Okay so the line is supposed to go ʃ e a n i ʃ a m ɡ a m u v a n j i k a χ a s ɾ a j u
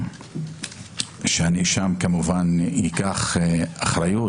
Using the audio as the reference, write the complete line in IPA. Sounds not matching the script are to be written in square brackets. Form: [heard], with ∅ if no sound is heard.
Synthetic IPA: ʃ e a n i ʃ a m [k] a m u v a n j i k a χ a [χ] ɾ a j u